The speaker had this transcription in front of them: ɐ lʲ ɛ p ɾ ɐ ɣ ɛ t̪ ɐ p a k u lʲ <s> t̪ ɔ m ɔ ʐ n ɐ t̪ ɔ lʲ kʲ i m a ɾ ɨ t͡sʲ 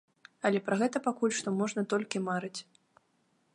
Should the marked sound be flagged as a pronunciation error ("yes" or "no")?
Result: yes